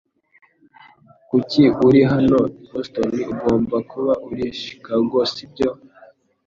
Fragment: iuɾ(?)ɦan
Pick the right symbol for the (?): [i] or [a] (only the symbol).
i